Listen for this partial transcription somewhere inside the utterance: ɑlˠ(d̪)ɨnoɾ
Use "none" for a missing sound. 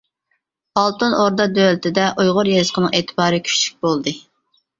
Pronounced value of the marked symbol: t̪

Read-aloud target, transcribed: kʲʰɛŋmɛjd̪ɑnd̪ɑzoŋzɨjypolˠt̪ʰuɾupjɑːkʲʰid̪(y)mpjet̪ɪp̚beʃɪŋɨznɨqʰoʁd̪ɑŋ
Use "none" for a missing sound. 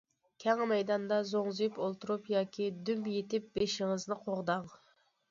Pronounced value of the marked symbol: y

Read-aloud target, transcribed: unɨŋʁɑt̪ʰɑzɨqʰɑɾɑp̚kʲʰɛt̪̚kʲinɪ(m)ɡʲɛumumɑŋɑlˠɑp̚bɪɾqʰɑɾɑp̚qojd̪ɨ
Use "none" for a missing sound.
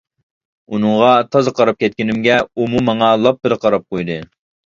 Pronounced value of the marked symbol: m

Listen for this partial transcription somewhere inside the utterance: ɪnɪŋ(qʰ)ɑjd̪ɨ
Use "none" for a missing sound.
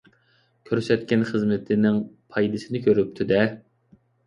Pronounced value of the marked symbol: pʰ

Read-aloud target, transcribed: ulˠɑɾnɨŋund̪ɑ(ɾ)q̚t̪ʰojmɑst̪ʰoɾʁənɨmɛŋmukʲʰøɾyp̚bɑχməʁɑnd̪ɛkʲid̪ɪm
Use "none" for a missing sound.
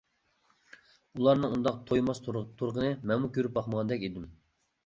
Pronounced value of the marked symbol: none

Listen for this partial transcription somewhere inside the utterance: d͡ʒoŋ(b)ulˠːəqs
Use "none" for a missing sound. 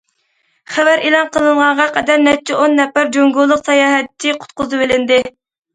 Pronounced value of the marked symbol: ɡ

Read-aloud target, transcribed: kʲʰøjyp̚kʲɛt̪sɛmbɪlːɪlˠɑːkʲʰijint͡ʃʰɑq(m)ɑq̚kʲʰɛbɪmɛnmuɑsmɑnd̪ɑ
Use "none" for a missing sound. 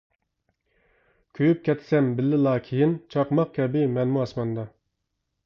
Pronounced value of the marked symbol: m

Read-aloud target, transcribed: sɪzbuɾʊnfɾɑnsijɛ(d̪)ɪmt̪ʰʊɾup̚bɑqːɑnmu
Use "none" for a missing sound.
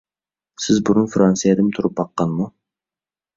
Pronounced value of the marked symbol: d̪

